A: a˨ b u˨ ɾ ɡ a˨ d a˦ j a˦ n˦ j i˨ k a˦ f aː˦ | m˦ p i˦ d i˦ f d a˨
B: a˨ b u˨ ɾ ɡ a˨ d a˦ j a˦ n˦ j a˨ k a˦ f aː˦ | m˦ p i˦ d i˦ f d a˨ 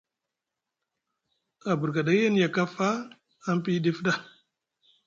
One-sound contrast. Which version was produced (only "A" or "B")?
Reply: B